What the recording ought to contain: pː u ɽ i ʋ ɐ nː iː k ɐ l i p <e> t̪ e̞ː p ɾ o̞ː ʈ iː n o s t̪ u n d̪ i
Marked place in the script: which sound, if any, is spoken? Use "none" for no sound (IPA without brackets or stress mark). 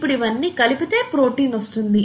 i